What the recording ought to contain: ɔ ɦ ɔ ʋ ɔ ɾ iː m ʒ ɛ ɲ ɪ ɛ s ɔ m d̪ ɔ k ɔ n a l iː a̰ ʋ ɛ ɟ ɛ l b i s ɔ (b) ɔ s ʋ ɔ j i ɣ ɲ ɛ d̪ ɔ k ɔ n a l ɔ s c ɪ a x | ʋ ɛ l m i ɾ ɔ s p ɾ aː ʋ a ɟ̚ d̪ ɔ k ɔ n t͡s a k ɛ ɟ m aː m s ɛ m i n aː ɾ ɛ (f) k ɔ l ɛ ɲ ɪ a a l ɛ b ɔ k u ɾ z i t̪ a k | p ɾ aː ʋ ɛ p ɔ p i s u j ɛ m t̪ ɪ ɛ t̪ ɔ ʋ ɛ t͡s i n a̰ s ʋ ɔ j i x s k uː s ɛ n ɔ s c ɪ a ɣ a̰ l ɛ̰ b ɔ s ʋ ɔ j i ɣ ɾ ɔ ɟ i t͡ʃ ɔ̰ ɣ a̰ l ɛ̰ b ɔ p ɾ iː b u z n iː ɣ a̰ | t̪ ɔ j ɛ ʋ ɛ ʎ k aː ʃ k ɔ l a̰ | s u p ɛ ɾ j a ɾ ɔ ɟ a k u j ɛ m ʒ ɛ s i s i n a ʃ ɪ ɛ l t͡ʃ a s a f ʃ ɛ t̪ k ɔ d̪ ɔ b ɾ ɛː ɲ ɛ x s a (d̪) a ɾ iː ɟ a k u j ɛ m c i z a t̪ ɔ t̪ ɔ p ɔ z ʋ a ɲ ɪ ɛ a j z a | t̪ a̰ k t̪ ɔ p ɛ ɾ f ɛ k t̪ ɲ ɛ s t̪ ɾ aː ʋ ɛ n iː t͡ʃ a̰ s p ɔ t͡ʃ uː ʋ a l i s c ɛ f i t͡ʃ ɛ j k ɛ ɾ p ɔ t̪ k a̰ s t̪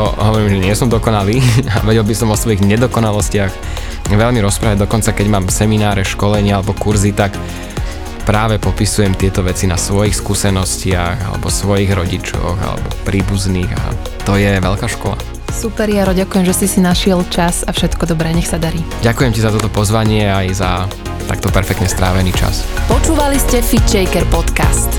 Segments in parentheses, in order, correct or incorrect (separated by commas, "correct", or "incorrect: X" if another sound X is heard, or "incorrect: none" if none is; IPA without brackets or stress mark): incorrect: m, incorrect: ʃ, correct